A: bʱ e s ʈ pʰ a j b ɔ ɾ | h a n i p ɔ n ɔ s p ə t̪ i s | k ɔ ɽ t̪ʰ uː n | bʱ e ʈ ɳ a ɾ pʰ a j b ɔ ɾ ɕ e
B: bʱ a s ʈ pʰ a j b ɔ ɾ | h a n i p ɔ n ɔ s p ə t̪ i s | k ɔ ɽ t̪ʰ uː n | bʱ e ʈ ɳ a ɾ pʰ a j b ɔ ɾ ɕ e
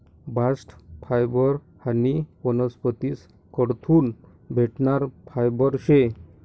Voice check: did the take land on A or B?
B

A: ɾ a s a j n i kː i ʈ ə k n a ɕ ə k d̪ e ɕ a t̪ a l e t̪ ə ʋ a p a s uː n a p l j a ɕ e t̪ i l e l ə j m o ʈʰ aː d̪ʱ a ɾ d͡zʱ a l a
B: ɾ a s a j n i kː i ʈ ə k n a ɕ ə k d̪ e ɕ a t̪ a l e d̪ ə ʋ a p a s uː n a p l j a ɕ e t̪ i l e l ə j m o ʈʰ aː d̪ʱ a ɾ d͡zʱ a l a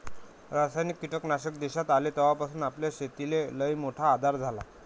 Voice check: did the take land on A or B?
A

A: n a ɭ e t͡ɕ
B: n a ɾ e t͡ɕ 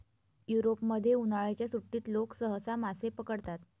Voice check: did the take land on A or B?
A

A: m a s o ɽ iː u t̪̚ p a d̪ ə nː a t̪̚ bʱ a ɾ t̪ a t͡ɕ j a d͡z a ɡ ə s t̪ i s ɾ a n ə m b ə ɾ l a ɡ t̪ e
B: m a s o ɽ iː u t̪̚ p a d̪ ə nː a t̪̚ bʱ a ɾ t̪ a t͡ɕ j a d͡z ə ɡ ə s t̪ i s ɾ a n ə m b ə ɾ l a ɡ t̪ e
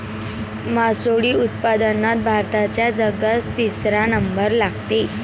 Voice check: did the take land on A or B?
B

